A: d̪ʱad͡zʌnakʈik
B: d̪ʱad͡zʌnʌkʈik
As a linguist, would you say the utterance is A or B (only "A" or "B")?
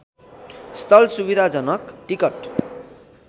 B